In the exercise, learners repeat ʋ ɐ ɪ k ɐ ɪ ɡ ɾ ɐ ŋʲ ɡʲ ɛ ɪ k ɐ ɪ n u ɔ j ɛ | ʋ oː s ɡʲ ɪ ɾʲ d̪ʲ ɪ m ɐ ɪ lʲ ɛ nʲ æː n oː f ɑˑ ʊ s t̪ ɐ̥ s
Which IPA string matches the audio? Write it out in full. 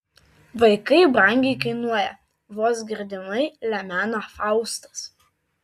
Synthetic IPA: ʋ ɐ ɪ k ɐ ɪ b ɾ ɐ ŋʲ ɡʲ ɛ ɪ k ɐ ɪ n u ɔ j ɛ | ʋ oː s ɡʲ ɪ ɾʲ d̪ʲ ɪ n ɐ ɪ lʲ ɛ mʲ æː n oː f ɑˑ ʊ s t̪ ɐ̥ s